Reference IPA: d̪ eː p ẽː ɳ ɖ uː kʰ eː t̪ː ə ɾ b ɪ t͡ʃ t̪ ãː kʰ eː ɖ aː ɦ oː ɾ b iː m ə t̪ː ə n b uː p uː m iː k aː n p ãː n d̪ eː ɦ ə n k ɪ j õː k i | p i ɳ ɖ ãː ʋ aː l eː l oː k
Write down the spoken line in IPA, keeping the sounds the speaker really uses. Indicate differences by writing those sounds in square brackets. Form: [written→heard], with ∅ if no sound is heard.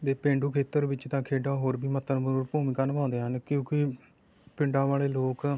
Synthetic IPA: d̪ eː p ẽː ɳ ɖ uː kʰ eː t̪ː ə ɾ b ɪ t͡ʃ t̪ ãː kʰ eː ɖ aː ɦ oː ɾ b iː m ə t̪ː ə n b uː p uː m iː k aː n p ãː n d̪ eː ɦ ə n k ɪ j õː k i | p [i→ɪ] ɳ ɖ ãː ʋ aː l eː l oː k